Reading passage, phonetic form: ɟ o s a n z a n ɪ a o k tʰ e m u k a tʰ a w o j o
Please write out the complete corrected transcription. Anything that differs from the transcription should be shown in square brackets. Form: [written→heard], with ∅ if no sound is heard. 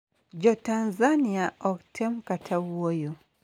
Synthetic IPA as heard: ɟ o [s→t] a n z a n [ɪ→i] a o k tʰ e m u k a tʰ a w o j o